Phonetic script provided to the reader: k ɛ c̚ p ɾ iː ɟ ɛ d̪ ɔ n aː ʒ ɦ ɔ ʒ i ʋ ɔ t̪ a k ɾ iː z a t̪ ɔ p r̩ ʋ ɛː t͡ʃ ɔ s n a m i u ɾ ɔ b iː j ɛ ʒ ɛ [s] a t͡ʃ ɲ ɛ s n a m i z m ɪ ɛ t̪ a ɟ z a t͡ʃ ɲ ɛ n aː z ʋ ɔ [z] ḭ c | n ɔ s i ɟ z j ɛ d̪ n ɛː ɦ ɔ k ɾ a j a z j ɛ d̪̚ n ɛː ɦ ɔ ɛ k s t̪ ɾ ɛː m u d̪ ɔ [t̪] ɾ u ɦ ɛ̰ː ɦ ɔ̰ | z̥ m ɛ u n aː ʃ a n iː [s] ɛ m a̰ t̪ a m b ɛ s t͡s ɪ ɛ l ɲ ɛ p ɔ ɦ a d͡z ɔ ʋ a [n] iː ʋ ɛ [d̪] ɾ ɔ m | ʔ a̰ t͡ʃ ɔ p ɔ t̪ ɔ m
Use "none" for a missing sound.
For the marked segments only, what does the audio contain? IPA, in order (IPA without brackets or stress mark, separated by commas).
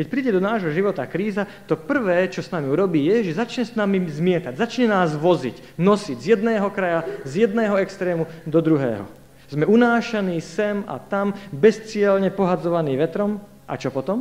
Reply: z, z, d̪, s, n, t̪